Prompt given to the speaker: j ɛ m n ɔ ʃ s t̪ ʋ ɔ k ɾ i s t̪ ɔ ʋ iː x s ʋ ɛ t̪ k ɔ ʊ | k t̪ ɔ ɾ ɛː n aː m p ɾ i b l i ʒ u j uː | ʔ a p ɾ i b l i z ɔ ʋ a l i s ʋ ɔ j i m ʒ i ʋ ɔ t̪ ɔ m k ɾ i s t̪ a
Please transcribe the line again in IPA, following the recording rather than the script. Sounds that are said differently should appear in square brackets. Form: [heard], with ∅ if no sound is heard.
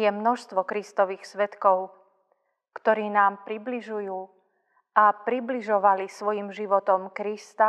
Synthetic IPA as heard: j ɛ m n ɔ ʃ s t̪ ʋ ɔ k ɾ i s t̪ ɔ ʋ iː x s ʋ ɛ t̪ k ɔ ʊ | k t̪ ɔ ɾ [iː] n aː m p ɾ i b l i ʒ u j uː | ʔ a p ɾ i b l i [ʒ] ɔ ʋ a l i s ʋ ɔ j i m ʒ i ʋ ɔ t̪ ɔ m k ɾ i s t̪ a